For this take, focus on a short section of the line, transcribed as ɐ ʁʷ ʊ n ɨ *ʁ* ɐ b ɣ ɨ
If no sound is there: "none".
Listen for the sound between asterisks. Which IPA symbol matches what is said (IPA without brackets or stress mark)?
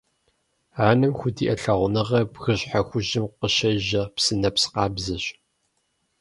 ʁ